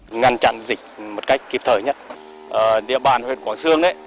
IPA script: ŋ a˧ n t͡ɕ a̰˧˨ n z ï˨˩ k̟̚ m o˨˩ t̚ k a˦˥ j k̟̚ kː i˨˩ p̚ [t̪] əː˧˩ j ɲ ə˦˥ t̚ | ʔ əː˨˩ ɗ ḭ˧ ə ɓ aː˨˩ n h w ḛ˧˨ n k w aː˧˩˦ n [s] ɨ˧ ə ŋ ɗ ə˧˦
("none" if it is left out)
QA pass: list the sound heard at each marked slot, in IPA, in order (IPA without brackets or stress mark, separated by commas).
t̪ʰ, s